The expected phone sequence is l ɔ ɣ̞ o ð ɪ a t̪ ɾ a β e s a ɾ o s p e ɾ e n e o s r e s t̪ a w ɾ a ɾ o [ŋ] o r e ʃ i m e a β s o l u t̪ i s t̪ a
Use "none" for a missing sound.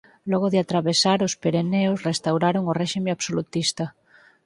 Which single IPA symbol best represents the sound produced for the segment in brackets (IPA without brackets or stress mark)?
ŋ